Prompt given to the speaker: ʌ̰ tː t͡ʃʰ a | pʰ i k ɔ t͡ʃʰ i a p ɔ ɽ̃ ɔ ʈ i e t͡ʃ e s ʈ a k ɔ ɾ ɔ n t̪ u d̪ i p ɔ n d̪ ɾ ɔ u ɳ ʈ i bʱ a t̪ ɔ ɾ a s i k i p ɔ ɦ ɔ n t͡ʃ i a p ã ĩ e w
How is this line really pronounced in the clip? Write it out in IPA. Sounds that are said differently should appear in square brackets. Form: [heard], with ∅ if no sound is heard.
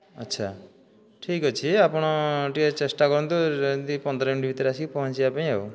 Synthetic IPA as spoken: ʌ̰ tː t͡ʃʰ a | [ʈʰ] i k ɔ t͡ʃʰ i a p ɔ ɽ̃ ɔ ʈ i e t͡ʃ e s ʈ a k ɔ ɾ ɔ n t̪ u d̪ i p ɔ n d̪ ɾ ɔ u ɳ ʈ i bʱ [i] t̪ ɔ ɾ a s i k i p ɔ ɦ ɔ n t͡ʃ i a p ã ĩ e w